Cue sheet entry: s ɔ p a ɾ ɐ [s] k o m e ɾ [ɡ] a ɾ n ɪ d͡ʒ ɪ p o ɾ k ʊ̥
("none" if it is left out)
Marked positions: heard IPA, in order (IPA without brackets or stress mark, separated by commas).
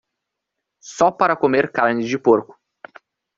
none, k